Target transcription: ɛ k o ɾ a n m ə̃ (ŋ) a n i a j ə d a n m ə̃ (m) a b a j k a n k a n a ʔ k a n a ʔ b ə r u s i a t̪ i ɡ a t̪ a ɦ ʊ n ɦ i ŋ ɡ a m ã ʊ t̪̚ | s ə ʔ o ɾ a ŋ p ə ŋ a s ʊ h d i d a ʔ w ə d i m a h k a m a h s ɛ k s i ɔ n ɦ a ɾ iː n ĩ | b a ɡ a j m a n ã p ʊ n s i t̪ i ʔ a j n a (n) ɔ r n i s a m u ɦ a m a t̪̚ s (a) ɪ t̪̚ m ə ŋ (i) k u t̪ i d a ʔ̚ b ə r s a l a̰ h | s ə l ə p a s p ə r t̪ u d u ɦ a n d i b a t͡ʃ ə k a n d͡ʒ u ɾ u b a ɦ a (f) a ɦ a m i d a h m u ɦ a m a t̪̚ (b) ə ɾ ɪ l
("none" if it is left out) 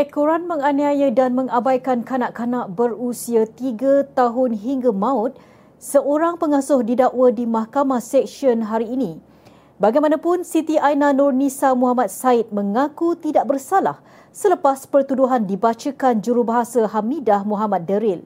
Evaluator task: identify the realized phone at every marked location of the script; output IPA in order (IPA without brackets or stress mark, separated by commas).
ŋ, ŋ, n, a, a, s, d